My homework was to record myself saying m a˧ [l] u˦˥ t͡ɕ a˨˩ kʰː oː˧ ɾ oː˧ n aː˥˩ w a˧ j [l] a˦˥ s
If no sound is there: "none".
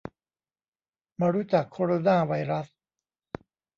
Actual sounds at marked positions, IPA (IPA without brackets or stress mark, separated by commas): ɾ, ɾ